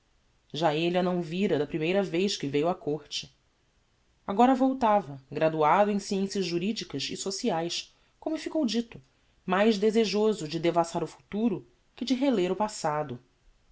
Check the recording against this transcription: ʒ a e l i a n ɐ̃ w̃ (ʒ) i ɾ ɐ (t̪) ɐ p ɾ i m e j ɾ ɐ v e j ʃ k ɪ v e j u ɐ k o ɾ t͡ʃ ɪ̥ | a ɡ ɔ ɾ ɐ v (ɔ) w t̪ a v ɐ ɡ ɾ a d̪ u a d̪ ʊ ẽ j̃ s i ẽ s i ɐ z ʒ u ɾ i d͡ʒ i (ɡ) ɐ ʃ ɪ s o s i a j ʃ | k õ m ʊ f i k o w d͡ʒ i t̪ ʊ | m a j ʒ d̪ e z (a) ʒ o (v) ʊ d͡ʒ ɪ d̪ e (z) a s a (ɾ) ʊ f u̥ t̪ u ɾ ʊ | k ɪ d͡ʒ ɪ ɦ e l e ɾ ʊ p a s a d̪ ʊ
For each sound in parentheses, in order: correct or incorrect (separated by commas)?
incorrect, incorrect, incorrect, incorrect, incorrect, incorrect, incorrect, correct